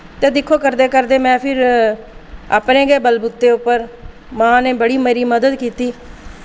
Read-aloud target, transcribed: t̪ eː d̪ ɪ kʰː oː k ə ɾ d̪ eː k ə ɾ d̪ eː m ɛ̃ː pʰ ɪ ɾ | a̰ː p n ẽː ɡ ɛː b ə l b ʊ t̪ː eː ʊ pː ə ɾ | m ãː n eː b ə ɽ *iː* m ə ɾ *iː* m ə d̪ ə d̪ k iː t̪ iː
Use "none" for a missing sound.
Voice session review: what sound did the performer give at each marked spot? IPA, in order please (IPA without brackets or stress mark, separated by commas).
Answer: iː, iː